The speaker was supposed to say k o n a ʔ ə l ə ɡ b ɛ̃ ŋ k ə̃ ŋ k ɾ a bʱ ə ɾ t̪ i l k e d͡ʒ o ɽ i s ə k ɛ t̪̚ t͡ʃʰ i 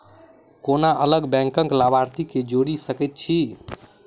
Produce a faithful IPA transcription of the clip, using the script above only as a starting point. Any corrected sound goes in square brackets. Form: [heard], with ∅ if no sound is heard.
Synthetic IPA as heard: k o n a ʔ ə l ə ɡ b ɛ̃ ŋ k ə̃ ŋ k [l] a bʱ [a] ɾ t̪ i [∅] k e d͡ʒ o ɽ i s ə k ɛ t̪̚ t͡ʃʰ i